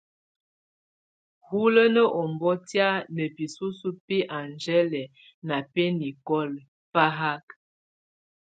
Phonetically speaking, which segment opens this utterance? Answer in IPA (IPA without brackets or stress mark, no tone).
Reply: h